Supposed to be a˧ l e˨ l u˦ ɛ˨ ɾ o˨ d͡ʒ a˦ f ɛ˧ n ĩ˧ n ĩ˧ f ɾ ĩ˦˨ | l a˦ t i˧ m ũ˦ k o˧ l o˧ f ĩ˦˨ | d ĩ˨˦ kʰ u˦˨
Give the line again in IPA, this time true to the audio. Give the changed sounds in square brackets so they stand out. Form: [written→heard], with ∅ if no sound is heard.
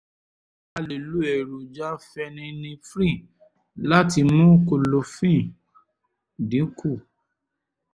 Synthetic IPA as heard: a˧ l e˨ l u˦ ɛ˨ ɾ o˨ d͡ʒ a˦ f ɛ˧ n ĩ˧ n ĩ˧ f ɾ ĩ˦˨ | l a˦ t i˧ m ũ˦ k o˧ l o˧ f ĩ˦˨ | d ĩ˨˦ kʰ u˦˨